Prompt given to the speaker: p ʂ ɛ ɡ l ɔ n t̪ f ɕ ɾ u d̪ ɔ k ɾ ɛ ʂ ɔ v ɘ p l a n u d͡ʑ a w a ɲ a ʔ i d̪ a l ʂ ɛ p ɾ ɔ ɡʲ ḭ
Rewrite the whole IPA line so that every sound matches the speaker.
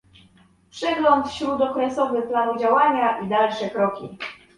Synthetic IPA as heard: p ʂ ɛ ɡ l ɔ n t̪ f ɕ ɾ u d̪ ɔ k ɾ ɛ s ɔ v ɘ p l a n u d͡ʑ a w a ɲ a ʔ i d̪ a l ʂ ɛ k ɾ ɔ kʲ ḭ

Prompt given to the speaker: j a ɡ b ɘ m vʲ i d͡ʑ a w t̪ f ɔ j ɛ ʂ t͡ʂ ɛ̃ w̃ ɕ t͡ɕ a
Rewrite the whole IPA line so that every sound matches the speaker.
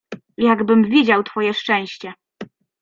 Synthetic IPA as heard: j a ɡ b ɘ m vʲ i d͡ʑ a w t̪ f ɔ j ɛ ʂ t͡ʂ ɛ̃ w̃ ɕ t͡ɕ ɛ

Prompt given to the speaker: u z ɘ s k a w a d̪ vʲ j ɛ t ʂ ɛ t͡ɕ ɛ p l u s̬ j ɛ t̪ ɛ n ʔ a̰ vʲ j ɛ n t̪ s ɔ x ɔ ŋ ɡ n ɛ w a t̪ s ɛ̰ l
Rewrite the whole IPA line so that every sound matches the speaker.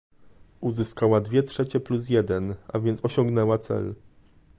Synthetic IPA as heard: u z ɘ s k a w a d̪ vʲ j ɛ t ʂ ɛ t͡ɕ ɛ p l u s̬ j ɛ d̪ ɛ n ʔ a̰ vʲ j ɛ n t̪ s ɔ ɕ ɔ ŋ ɡ n ɛ w a t̪ s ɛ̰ l

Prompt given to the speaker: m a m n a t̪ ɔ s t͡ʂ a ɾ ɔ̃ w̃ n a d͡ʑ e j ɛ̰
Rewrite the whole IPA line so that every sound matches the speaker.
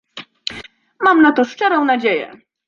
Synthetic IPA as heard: m a m n a t̪ ɔ ʂ t͡ʂ ɛ ɾ ɔ̃ w̃ n a d͡ʑ e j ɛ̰

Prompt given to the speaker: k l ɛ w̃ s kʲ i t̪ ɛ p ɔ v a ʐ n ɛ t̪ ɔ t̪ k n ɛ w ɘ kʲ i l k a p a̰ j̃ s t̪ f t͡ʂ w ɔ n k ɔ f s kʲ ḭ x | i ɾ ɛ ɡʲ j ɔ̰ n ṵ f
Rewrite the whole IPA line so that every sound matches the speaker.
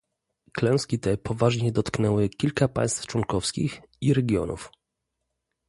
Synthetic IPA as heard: k l ɛ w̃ s kʲ i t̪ ɛ p ɔ v a ʐ ɲ ɛ d̪ ɔ t̪ k n ɛ w ɘ kʲ i l k a p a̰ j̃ s t̪ f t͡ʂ w ɔ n k ɔ f s kʲ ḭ x | i ɾ ɛ ɡʲ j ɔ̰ n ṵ f

